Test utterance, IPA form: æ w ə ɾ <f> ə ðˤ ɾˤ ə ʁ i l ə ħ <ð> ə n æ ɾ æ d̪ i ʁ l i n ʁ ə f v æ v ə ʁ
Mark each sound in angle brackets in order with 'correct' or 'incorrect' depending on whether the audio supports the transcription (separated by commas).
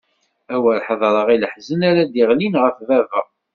incorrect, incorrect